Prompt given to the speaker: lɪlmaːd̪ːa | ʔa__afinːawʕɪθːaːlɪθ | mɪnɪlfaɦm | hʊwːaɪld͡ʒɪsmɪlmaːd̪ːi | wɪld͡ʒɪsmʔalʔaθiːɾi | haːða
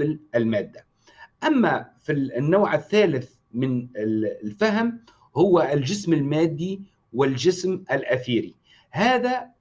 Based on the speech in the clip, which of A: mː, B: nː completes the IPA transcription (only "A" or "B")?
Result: A